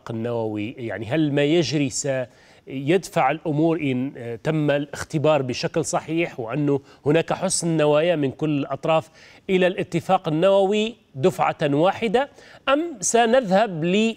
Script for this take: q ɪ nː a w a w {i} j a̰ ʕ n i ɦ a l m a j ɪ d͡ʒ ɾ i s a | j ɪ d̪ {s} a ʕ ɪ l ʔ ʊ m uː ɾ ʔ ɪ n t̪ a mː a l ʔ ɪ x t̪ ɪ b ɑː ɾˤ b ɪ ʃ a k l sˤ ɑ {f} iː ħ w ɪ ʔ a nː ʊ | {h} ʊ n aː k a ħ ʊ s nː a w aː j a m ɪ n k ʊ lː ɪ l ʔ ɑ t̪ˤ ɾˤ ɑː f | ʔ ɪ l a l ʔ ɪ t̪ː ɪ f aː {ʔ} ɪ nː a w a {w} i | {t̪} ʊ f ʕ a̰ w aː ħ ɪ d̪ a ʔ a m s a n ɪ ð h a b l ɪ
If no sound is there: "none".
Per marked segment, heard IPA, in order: i, f, ħ, h, q, w, d̪

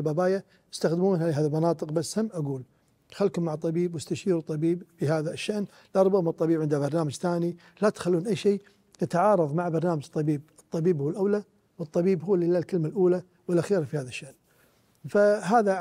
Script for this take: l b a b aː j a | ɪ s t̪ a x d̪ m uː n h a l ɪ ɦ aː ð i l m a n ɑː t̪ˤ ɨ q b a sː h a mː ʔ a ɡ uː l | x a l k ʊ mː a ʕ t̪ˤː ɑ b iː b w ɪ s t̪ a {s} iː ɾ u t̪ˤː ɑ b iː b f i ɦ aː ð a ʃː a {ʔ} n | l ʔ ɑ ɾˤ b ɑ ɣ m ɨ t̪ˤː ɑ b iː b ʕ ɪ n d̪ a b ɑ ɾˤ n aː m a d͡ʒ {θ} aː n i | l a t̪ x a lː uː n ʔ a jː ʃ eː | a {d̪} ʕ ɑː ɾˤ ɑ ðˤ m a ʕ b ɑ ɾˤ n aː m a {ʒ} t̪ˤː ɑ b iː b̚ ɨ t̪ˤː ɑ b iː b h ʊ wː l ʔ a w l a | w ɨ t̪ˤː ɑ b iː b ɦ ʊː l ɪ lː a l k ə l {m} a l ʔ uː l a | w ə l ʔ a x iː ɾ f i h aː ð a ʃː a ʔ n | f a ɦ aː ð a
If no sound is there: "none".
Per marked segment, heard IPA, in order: ʃ, ʔ, θ, t̪, d͡ʒ, m

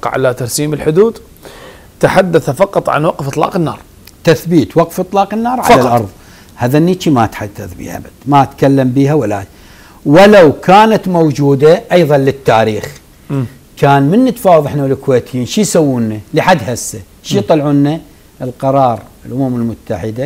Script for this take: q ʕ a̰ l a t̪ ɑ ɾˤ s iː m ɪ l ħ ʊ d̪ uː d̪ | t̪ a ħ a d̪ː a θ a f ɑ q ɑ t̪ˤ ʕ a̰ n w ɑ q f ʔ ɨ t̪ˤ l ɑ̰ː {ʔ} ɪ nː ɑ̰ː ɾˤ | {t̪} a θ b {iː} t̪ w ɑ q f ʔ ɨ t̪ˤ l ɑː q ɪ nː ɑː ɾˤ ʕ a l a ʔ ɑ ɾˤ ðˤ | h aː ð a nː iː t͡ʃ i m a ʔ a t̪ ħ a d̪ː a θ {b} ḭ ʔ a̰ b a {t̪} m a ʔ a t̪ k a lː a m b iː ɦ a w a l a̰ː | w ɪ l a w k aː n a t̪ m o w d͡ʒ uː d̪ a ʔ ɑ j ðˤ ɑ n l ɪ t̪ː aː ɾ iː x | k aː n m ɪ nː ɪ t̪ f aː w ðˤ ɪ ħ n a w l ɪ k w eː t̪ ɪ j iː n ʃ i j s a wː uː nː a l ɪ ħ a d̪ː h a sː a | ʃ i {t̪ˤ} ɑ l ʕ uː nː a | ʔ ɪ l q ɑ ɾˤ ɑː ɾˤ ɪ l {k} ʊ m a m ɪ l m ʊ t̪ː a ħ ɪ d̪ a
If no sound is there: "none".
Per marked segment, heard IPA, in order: q, t̪, iː, b, d̪, t̪ˤ, ʔ

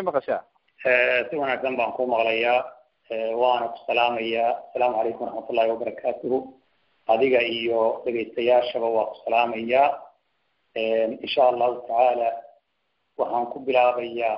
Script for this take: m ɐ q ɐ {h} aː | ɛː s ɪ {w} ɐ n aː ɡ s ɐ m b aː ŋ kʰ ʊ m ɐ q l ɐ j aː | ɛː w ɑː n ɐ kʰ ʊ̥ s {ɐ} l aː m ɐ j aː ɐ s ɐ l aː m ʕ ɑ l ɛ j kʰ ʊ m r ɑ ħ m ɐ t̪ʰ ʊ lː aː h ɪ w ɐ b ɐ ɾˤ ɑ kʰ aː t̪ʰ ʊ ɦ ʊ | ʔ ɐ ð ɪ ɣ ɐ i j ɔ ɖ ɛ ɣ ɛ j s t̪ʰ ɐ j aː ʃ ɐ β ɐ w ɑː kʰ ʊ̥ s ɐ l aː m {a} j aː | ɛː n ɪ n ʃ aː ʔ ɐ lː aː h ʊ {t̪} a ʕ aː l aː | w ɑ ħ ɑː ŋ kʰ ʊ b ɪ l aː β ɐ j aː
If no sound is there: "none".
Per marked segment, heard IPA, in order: ʃ, w, ɐ, ɐ, t̪ʰ

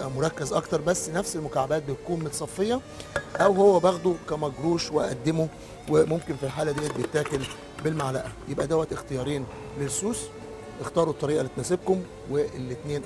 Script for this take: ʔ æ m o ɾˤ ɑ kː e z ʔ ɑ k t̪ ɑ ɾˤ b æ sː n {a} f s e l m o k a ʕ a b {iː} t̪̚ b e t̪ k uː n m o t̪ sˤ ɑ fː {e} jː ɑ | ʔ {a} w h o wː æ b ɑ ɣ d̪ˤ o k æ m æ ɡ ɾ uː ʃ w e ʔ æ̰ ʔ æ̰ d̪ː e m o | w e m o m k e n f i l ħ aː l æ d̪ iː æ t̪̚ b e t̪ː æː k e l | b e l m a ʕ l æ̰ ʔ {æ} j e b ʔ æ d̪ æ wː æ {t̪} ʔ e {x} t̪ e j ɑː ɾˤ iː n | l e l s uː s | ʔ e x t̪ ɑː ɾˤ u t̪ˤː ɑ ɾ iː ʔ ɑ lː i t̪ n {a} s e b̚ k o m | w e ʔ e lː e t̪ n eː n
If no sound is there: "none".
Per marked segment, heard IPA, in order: æ, æː, e, æ, æ, t̪, x, æ

